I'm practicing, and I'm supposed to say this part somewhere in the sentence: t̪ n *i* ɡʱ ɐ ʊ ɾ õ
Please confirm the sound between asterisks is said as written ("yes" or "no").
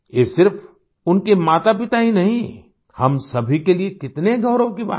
no